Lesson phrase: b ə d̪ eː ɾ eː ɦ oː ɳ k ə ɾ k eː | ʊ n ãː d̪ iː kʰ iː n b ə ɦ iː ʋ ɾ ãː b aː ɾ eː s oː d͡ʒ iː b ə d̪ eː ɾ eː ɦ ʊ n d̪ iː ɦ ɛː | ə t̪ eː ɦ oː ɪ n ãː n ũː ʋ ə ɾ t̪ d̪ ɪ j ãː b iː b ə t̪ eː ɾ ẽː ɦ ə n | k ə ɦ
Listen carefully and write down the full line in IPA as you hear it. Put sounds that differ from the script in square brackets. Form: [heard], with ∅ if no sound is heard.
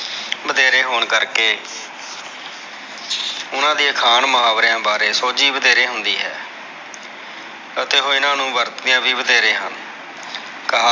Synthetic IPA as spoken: b ə d̪ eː ɾ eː ɦ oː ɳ k ə ɾ k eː | ʊ n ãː d̪ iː kʰ [aː] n [m] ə ɦ [aː] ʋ ɾ ãː b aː ɾ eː s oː d͡ʒ iː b ə d̪ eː ɾ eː ɦ ʊ n d̪ iː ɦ ɛː | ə t̪ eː ɦ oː ɪ n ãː n ũː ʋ ə ɾ t̪ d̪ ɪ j ãː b iː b ə [d̪] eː ɾ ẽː ɦ ə n | k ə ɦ